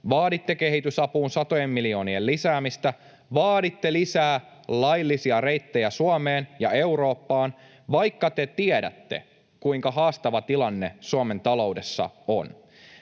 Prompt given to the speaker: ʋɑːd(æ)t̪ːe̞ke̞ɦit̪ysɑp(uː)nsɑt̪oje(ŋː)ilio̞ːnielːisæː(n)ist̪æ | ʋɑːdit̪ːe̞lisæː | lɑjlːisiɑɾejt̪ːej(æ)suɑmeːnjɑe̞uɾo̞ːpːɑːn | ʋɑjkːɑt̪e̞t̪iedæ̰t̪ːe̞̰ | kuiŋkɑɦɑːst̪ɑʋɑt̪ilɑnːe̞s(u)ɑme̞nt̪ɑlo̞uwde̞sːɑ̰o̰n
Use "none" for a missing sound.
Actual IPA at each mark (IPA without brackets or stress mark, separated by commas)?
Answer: i, uː, mː, m, æ, u